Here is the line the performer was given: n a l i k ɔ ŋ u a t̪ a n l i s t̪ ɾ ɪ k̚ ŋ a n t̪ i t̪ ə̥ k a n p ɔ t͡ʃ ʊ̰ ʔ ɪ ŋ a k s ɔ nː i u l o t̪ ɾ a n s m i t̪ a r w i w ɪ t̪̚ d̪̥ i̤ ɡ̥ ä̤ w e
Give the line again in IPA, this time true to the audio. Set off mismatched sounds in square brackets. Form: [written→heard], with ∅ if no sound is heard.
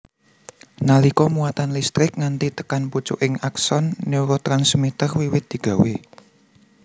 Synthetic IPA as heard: n a l i k ɔ [ŋ→m] u a t̪ a n l i s t̪ ɾ ɪ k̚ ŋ a n t̪ i t̪ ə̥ k a n p [ɔ→u] t͡ʃ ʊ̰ ʔ ɪ ŋ a k s ɔ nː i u [l→ɾ] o t̪ ɾ a n s m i t̪ [a→ə] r w i w ɪ t̪̚ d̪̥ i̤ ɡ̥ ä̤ w e